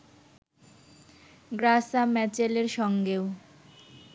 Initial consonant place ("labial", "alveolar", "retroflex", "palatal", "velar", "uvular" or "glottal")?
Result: velar